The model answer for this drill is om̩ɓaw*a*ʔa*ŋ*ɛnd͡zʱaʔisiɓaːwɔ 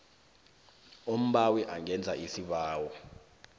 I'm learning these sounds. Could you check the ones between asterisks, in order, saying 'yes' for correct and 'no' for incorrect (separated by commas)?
no, yes